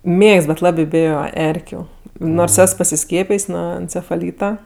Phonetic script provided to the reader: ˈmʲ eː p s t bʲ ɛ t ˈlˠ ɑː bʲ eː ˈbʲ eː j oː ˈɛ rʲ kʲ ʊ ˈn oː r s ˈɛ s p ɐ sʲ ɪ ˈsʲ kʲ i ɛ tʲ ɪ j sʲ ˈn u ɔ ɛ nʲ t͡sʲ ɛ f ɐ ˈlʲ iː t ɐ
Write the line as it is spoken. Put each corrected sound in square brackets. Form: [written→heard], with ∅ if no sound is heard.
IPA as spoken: ˈmʲ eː [p→k] s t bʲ ɛ t ˈlˠ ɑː bʲ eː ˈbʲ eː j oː ˈɛ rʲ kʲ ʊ ˈn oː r s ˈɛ s p ɐ sʲ ɪ ˈsʲ kʲ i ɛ [tʲ→pʲ] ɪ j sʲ ˈn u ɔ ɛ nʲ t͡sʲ ɛ f ɐ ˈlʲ iː t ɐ